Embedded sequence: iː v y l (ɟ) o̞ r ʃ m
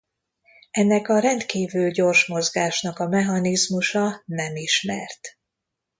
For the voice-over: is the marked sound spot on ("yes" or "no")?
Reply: yes